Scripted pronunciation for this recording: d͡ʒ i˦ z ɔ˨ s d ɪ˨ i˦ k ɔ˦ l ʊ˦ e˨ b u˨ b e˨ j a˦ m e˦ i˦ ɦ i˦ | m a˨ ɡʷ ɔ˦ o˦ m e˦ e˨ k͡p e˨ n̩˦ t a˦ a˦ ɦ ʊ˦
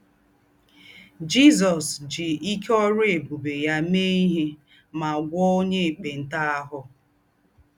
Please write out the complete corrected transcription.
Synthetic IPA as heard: d͡ʒ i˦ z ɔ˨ s d͡ʒ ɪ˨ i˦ k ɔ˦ ɾ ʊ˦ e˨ b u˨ b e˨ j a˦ m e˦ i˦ ɦ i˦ | m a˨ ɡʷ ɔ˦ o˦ ɲ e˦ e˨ k͡p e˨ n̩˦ t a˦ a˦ ɦ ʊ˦